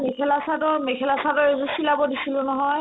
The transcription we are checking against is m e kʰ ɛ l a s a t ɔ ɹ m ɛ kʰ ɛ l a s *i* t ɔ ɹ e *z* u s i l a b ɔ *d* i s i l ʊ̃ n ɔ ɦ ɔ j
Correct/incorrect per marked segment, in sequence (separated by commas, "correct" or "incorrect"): incorrect, correct, correct